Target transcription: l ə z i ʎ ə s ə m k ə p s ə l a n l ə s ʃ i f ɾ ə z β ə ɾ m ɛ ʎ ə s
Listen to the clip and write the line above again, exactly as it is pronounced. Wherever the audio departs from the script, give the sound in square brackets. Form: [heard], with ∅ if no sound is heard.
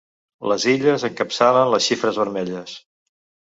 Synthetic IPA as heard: l ə z i ʎ ə [z] ə [ŋ] k ə p s [a] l [ə] n l ə s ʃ i f ɾ ə z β ə ɾ m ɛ ʎ ə s